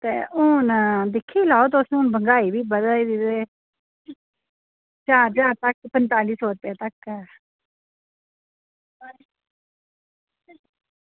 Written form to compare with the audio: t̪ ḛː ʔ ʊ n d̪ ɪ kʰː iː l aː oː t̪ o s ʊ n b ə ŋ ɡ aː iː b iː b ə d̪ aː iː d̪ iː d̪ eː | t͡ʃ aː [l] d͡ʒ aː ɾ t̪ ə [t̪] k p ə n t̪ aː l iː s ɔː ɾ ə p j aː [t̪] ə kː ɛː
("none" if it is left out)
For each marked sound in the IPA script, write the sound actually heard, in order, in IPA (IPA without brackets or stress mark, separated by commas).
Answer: ɾ, none, t̪